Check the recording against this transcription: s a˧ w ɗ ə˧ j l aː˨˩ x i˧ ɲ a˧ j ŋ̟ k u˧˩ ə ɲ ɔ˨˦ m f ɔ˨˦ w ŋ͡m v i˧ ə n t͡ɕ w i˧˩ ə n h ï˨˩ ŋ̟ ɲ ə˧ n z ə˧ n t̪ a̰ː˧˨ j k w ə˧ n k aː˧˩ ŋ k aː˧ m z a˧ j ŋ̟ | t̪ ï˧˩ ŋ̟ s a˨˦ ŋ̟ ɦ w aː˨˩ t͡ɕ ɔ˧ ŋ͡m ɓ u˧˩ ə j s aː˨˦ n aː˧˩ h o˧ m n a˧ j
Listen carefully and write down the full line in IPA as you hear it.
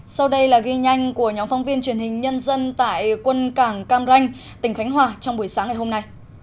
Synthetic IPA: s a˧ w ɗ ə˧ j l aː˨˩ ɣ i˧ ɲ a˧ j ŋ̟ k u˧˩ ə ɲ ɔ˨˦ m f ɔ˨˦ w ŋ͡m v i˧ ə n t͡ɕ w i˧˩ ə n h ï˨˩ ŋ̟ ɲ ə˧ n z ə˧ n t̪ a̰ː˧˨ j k w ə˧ n k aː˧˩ ŋ k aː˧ m z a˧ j ŋ̟ | t̪ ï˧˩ ŋ̟ x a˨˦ ŋ̟ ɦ w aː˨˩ t͡ɕ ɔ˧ ŋ͡m ɓ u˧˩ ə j s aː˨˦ ŋ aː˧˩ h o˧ m n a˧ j